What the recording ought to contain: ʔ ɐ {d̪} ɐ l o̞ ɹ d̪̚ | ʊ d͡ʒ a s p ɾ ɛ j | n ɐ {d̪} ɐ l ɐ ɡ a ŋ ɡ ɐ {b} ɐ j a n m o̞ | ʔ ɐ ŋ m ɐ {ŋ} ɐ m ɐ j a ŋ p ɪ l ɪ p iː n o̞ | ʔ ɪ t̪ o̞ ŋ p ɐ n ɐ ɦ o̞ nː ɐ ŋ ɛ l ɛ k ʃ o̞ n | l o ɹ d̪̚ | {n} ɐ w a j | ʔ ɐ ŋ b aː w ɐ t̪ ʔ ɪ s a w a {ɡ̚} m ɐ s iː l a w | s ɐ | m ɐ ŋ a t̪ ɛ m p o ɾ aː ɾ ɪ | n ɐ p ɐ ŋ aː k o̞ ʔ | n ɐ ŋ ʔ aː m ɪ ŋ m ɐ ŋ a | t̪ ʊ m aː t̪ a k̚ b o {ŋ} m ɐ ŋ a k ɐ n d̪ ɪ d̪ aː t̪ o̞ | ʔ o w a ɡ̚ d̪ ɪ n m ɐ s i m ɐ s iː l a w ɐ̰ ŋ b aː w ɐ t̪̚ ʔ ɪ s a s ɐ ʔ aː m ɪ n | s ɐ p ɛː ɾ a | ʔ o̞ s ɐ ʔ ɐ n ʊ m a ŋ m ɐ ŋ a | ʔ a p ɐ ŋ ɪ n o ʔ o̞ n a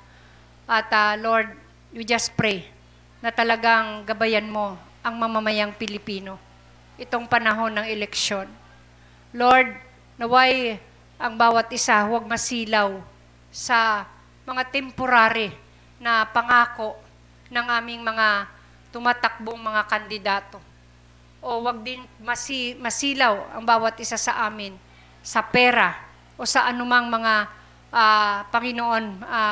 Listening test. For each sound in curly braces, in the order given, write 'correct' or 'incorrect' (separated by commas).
incorrect, incorrect, correct, incorrect, correct, correct, correct